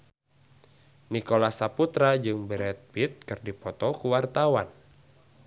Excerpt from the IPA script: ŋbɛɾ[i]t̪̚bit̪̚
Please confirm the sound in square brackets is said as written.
no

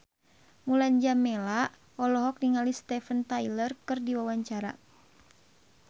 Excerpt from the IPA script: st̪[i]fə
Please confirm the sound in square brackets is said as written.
no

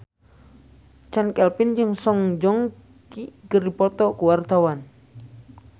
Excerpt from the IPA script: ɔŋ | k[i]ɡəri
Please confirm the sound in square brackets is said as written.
yes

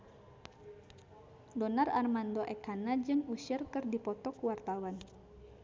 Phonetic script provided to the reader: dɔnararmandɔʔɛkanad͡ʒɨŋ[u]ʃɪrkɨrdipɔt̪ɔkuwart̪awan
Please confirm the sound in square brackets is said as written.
yes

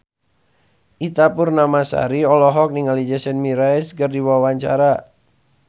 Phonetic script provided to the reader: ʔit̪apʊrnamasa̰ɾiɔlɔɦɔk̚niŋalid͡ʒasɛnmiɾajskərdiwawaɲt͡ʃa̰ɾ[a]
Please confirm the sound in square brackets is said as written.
yes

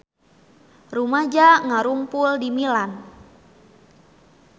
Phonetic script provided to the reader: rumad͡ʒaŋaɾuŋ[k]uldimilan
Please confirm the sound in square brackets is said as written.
no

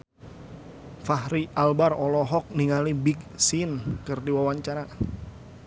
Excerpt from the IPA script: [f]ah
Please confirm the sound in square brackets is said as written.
yes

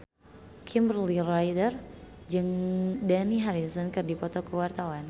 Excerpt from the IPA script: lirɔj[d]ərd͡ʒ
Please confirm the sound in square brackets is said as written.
yes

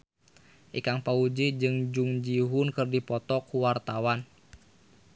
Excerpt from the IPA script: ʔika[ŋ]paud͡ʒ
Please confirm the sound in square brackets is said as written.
yes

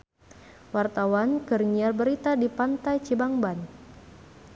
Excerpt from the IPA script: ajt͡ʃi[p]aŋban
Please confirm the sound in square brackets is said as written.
no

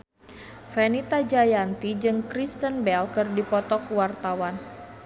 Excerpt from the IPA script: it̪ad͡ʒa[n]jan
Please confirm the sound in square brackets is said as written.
no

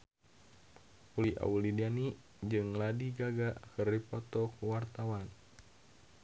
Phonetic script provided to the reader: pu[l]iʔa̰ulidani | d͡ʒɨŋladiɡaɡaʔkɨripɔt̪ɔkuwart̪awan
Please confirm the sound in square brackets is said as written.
yes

